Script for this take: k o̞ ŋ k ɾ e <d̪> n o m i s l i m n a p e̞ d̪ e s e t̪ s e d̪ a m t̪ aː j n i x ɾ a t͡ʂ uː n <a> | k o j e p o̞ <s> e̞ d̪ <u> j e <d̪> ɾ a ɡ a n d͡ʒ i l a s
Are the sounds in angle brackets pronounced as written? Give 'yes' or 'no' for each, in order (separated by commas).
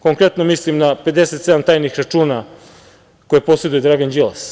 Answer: no, yes, yes, yes, yes